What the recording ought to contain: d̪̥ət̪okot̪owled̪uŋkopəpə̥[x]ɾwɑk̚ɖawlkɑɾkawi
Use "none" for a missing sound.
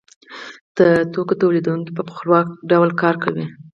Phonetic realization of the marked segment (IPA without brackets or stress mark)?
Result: x